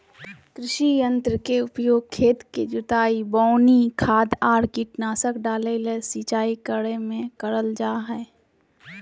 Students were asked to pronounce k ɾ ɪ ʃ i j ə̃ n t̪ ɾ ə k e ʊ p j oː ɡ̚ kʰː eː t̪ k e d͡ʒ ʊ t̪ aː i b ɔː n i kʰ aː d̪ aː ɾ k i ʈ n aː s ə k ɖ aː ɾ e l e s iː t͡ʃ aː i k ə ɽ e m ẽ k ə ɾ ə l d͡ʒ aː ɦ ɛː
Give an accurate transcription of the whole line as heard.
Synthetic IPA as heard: k ɾ ɪ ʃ i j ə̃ n t̪ ɾ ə k e ʊ p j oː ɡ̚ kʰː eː t̪ k e d͡ʒ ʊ t̪ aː i b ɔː n i kʰ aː d̪ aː ɾ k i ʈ n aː s ə k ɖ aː l e l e s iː t͡ʃ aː i k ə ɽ e m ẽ k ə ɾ ə l d͡ʒ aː ɦ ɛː